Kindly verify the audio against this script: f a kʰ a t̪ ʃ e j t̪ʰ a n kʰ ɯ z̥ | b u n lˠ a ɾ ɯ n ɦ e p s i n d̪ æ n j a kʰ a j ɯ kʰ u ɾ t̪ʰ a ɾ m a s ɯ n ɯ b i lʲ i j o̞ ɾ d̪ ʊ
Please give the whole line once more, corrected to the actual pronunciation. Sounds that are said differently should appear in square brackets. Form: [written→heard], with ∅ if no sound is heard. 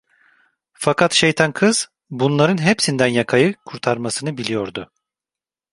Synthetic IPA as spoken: f a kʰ a t̪ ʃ e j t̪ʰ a n kʰ ɯ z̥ | b u n lˠ a ɾ ɯ n ɦ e p s i n d̪ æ n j a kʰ a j ɯ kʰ u ɾ t̪ʰ a ɾ m a s ɯ n ɯ b i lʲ i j o̞ ɾ d̪ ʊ